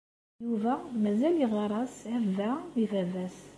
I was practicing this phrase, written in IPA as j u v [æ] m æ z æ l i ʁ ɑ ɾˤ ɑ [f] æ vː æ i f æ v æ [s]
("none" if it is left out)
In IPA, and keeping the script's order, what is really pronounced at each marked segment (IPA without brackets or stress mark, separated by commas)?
æ, s, s